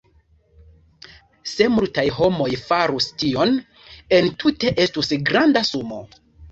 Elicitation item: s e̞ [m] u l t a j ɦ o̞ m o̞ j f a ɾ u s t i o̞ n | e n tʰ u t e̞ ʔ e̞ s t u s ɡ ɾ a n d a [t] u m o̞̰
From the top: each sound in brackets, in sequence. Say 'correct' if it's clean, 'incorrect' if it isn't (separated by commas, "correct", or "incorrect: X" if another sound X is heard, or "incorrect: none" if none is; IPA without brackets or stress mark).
correct, incorrect: s